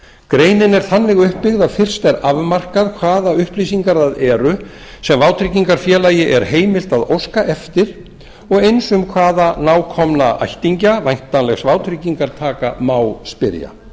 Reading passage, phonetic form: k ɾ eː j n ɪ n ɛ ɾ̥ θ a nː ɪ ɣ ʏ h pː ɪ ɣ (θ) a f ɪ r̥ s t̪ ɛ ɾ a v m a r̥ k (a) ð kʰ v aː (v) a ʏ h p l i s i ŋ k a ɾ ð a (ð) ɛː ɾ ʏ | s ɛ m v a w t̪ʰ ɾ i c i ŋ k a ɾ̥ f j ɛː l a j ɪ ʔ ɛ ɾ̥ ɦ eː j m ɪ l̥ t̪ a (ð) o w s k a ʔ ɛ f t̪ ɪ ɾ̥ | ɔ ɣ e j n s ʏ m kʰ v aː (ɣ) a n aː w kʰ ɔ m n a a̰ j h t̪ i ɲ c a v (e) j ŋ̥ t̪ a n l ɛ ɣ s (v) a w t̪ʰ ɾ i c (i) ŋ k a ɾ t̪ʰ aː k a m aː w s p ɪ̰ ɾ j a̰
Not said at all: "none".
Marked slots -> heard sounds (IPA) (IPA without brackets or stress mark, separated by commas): ð, a, ð, ð, ð, ð, a, v, i